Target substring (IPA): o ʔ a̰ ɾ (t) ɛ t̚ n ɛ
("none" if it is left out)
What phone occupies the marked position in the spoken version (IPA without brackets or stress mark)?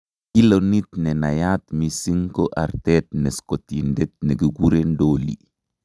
t